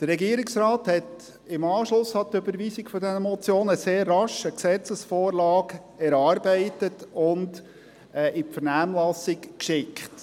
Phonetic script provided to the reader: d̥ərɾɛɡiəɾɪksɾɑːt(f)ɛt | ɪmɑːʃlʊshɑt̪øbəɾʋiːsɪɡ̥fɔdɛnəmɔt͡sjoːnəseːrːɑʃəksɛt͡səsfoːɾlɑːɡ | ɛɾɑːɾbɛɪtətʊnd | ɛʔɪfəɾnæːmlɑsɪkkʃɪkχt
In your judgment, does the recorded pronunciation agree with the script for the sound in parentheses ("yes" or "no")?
no